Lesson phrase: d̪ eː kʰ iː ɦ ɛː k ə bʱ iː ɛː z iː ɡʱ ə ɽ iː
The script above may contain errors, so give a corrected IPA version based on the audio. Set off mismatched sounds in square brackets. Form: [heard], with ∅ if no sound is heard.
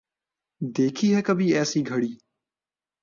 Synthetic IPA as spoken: d̪ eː kʰ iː ɦ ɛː k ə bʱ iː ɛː [s] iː ɡʱ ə ɽ iː